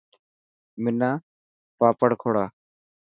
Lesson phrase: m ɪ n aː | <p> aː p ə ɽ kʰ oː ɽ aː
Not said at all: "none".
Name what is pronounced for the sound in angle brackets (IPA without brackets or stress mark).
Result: p